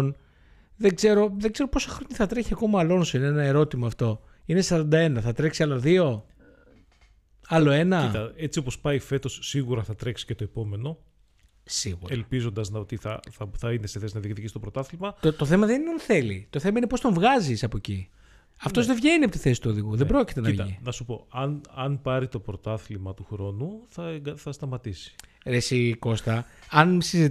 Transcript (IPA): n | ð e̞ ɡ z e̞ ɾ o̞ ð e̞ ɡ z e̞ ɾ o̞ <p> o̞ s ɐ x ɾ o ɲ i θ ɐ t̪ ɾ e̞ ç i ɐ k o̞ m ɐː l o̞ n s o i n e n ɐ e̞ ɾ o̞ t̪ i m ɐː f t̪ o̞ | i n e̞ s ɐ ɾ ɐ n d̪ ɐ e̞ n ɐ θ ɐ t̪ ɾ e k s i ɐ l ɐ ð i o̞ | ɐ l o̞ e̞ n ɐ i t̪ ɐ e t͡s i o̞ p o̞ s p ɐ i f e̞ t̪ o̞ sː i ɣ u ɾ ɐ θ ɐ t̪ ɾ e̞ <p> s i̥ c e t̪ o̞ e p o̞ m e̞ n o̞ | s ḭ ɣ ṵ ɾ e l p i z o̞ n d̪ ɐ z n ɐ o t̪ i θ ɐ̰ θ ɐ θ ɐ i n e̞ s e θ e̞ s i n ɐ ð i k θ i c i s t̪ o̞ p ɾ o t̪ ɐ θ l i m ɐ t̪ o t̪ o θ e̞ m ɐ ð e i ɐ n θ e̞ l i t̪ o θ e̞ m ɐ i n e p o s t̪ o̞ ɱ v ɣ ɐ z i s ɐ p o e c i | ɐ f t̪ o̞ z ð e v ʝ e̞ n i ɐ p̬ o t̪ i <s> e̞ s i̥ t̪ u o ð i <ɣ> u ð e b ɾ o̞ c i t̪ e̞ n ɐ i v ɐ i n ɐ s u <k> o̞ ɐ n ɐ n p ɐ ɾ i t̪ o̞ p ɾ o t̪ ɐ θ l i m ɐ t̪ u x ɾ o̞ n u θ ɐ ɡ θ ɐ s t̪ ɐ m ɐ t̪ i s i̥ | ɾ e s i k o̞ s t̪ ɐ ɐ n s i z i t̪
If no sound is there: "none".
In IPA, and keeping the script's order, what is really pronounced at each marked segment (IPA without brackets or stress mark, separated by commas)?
p, k, θ, ɣ, p